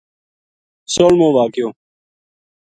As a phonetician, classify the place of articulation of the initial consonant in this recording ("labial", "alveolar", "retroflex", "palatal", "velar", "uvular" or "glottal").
alveolar